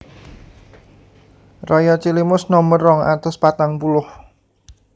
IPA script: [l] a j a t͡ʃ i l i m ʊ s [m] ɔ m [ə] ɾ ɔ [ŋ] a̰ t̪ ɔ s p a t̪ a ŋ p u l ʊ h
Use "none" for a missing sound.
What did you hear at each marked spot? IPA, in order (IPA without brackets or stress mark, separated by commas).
r, n, ə, ŋ